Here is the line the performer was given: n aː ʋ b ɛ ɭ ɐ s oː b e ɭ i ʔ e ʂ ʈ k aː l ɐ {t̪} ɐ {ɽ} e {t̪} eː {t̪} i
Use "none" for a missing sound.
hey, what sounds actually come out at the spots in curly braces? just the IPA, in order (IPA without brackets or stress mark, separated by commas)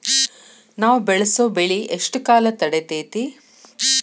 t̪, ɽ, t̪, t̪